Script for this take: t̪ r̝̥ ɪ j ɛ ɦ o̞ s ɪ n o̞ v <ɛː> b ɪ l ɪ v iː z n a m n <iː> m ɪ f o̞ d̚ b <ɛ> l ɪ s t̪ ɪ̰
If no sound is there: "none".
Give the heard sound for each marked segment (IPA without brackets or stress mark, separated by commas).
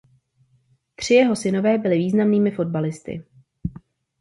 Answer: ɛː, iː, a